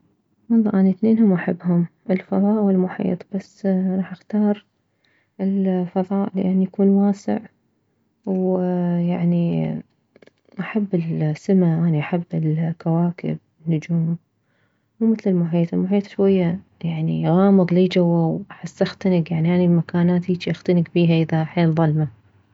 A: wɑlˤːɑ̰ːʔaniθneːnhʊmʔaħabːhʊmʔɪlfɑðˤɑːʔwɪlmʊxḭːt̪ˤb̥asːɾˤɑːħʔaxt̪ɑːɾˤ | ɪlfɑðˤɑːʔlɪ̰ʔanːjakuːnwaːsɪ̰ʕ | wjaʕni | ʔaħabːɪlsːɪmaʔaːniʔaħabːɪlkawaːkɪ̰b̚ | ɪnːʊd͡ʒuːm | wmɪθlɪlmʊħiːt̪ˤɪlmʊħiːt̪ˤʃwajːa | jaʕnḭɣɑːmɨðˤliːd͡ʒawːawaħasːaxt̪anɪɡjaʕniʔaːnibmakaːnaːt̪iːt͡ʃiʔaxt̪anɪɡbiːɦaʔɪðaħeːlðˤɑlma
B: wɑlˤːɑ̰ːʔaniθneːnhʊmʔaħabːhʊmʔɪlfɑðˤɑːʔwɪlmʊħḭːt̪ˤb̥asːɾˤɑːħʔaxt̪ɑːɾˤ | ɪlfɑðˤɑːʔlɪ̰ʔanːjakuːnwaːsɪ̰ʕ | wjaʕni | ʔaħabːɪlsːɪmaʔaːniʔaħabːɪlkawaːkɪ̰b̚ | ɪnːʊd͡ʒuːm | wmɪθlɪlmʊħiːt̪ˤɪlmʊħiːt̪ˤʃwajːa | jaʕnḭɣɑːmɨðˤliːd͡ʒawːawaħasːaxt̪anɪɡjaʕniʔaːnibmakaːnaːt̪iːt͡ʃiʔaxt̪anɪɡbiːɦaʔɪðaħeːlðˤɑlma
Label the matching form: B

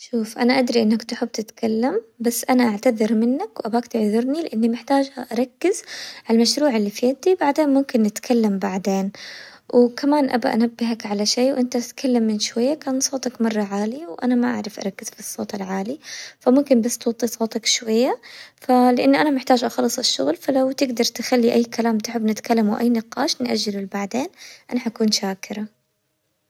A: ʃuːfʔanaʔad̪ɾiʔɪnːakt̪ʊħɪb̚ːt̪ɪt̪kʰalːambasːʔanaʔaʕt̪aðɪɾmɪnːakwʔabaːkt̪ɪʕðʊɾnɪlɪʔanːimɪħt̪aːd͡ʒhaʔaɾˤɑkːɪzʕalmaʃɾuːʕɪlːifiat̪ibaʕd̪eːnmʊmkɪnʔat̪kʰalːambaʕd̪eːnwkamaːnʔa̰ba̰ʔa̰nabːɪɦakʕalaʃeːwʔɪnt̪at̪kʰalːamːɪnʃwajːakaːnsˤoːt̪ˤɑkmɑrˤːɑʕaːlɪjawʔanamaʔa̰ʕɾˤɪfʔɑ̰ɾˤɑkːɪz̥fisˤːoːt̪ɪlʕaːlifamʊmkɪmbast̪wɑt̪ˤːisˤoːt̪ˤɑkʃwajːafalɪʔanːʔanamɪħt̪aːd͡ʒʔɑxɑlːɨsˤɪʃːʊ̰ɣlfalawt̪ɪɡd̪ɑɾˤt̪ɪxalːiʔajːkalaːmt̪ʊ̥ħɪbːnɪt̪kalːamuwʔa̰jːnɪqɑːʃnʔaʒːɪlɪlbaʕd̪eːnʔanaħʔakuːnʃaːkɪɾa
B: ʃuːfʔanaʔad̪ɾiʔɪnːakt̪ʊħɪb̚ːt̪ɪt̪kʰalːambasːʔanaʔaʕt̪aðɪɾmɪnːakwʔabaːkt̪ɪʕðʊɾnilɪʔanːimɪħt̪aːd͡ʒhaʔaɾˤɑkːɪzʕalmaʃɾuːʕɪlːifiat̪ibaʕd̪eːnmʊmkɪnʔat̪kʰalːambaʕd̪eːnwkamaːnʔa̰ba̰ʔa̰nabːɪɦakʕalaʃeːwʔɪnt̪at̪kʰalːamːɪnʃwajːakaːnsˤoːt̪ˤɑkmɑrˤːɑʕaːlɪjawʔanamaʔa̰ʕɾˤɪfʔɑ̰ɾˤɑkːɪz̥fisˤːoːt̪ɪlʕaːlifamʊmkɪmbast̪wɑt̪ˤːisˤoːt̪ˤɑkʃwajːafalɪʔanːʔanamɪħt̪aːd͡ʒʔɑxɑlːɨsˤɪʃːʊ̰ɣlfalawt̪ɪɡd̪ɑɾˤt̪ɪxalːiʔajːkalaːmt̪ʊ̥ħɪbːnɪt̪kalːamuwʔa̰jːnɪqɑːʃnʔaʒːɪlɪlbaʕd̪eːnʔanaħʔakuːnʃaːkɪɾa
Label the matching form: B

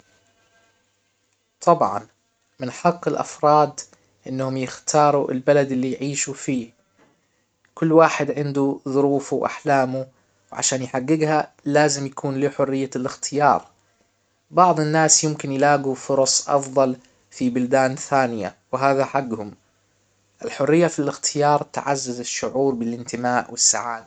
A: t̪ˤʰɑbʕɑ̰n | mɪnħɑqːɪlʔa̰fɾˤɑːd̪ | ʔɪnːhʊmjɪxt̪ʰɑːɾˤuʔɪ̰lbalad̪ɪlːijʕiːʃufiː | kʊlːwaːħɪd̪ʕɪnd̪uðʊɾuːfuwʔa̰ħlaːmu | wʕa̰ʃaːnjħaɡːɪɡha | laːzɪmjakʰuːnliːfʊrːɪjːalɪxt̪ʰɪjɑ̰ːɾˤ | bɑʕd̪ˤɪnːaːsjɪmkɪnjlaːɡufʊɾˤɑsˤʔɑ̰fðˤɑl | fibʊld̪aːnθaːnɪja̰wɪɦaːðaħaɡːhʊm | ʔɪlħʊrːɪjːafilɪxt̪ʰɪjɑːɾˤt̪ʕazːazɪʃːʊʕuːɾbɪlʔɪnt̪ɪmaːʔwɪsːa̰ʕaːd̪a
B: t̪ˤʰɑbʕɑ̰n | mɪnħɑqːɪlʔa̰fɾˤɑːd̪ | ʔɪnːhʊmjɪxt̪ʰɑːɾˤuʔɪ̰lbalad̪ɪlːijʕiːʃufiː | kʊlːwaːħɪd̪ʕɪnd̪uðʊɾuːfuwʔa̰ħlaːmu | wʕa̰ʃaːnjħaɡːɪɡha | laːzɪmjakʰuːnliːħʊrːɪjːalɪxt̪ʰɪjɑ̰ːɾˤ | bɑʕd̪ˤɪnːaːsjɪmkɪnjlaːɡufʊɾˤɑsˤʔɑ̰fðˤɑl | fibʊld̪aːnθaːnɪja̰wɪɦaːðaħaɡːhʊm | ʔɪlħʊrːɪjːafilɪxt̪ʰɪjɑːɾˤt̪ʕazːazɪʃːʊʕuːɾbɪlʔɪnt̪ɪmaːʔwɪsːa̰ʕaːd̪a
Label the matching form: B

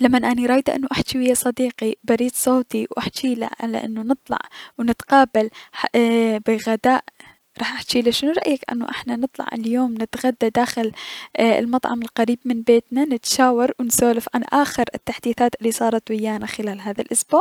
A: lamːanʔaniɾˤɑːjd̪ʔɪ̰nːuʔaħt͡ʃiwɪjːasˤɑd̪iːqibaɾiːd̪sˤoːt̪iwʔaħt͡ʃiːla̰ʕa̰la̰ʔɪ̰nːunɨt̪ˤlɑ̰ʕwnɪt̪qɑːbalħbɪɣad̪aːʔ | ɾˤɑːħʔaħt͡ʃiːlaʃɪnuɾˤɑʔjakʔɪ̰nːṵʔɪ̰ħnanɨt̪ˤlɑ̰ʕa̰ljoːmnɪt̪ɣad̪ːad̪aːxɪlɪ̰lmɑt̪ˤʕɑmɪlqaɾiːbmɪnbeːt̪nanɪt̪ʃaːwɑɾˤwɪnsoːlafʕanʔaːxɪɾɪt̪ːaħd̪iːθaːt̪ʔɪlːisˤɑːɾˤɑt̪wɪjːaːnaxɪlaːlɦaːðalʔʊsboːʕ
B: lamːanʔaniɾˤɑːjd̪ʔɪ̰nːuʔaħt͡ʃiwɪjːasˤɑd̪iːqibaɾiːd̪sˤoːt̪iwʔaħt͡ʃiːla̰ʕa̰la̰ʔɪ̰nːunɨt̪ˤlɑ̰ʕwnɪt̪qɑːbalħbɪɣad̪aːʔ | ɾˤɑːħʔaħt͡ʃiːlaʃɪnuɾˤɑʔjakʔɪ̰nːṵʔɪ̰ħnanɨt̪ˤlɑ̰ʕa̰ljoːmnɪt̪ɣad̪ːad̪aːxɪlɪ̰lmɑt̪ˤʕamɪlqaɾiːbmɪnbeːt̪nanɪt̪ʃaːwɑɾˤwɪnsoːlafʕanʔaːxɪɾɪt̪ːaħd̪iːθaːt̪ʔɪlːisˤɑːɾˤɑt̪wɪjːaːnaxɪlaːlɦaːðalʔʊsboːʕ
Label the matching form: A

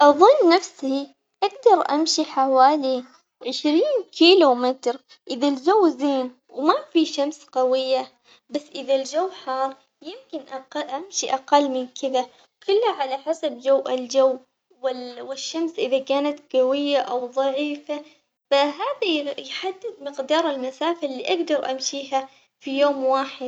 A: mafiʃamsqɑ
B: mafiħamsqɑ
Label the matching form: A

